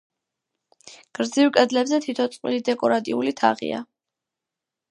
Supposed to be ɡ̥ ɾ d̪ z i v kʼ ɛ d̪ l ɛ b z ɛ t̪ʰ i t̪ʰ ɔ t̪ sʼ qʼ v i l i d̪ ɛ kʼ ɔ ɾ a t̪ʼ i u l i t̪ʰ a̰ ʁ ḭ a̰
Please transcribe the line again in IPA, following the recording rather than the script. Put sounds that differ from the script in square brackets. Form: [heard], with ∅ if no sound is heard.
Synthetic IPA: ɡ̥ ɾ d̪ z i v kʼ ɛ d̪ l ɛ b z ɛ t̪ʰ i t̪ʰ ɔ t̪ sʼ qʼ [w] i l i d̪ ɛ kʼ ɔ ɾ a t̪ʼ i u l i t̪ʰ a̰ ʁ ḭ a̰